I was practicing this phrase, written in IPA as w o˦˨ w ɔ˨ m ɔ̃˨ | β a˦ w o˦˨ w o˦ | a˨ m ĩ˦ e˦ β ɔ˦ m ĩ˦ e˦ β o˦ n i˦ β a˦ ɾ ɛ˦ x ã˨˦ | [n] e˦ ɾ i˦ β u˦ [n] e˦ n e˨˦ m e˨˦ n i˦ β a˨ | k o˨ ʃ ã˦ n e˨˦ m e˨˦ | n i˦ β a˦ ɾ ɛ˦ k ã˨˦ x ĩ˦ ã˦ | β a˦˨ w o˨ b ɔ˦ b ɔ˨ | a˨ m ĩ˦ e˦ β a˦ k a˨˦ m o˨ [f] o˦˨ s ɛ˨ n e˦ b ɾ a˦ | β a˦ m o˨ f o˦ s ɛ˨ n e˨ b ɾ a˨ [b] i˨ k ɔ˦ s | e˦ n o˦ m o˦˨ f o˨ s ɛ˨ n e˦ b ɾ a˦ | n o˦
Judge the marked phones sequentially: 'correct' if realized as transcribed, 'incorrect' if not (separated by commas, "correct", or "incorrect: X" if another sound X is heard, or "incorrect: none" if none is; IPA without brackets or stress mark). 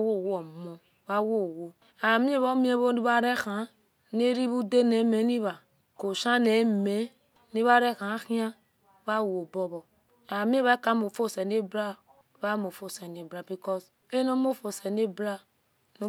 correct, incorrect: d, correct, correct